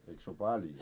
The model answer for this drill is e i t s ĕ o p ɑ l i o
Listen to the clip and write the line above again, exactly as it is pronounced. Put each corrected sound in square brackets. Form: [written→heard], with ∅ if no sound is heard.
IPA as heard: e i [t→k] s ĕ o p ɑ l [i→j] o